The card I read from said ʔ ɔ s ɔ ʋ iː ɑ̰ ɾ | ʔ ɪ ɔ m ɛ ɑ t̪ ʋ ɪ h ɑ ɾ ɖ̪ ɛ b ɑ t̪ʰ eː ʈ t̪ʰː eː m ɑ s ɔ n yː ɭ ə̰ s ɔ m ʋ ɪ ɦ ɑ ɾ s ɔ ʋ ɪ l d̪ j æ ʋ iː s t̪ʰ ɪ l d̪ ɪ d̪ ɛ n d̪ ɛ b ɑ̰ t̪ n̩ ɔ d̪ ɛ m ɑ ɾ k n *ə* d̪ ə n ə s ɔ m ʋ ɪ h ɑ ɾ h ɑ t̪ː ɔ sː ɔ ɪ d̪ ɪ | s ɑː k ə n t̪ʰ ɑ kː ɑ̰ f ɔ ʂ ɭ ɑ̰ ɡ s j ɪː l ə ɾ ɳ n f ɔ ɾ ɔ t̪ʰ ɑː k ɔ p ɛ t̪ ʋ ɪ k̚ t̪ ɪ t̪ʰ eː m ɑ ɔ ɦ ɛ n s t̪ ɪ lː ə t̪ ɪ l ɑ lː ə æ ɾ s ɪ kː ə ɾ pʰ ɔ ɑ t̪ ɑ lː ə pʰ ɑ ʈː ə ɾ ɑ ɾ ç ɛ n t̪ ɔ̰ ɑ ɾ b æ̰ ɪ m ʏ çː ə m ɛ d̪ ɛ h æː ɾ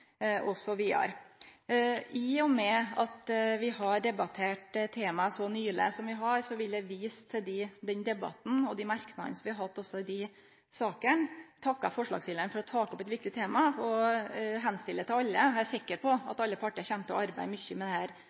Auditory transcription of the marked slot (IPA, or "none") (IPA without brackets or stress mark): ɑ